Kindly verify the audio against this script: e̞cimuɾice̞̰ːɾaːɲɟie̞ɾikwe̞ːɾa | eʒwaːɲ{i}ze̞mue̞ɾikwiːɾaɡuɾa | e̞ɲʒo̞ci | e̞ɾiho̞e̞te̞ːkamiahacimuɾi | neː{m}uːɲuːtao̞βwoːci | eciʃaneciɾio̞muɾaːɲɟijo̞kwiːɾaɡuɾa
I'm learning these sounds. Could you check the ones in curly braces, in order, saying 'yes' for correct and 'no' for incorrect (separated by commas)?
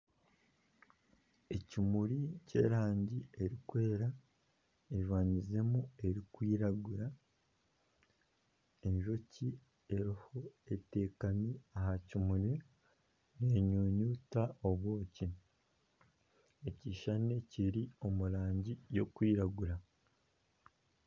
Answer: yes, no